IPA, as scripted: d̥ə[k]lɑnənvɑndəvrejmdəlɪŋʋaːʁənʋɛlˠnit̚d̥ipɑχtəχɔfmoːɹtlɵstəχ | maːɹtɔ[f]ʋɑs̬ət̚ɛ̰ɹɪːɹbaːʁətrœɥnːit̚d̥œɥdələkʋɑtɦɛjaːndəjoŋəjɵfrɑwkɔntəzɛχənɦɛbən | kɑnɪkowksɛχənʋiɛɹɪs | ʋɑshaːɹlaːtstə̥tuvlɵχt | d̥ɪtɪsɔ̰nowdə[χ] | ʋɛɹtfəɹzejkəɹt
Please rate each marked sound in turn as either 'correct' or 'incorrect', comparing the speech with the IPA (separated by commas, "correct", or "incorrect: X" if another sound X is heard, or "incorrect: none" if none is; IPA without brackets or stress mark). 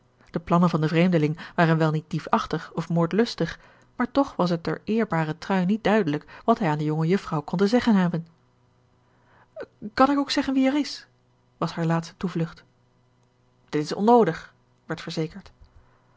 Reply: incorrect: p, incorrect: χ, correct